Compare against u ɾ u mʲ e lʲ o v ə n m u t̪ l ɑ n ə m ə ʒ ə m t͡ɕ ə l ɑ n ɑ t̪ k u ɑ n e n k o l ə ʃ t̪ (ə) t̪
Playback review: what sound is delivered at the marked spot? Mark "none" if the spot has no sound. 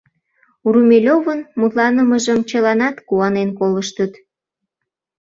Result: ə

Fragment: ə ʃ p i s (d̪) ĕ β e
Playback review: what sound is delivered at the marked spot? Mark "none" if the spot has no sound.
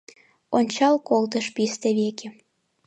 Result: t̪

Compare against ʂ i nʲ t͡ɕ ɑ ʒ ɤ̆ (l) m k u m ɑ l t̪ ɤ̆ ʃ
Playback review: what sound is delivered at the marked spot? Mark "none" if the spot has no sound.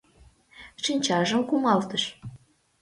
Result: none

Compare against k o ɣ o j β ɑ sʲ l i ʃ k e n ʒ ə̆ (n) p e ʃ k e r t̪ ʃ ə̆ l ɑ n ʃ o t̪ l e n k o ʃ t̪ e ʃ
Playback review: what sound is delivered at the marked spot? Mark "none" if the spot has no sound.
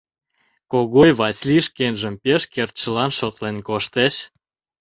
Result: m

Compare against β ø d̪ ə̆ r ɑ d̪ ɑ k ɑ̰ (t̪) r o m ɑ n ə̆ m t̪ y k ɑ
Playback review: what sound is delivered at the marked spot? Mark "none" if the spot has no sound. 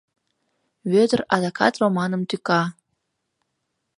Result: t̪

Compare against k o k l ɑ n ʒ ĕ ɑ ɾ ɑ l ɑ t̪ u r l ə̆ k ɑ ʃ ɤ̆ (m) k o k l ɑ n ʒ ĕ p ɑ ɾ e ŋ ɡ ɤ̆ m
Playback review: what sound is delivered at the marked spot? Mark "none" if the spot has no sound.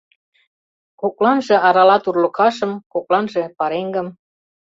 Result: m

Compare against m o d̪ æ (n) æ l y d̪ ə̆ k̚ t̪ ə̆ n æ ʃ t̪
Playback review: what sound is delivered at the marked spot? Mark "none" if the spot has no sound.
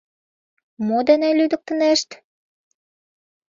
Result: n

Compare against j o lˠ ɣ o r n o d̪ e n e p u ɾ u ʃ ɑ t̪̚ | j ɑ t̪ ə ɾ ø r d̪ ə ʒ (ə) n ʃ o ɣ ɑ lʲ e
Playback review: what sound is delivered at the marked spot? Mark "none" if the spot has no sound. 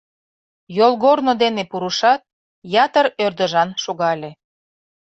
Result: ɑ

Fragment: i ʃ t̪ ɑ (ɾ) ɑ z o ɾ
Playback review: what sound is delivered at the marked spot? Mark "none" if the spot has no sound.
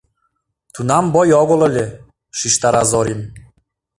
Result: ɾ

